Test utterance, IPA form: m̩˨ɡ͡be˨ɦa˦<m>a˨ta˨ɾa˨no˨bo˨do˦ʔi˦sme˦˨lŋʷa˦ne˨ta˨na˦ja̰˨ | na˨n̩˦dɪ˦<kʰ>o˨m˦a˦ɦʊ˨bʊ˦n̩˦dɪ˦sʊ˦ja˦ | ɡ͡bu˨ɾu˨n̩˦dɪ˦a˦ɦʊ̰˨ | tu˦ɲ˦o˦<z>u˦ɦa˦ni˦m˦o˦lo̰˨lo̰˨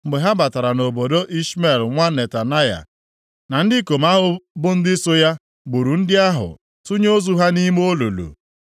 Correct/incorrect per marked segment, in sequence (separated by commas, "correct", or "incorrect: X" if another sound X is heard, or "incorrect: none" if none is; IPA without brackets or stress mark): incorrect: b, incorrect: k, correct